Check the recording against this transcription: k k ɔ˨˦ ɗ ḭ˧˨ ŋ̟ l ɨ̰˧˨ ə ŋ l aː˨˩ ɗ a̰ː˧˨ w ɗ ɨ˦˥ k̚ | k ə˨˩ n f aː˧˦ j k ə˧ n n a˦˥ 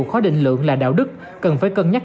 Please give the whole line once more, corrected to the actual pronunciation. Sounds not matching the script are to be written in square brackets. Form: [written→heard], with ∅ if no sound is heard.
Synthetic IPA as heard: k [k→x] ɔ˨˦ ɗ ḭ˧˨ ŋ̟ l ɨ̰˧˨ ə ŋ l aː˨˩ ɗ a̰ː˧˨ w ɗ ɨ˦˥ k̚ | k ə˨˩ n f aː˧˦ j k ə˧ n [n→ɲ] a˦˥